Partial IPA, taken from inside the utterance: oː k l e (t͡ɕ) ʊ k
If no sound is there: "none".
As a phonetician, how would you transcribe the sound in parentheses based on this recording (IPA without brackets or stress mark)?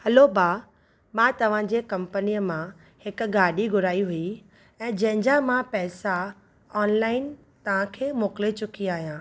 t͡ɕ